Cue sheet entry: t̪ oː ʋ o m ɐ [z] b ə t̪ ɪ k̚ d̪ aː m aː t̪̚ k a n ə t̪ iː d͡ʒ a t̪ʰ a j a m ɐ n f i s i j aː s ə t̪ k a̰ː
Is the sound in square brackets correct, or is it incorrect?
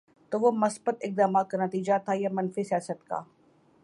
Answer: incorrect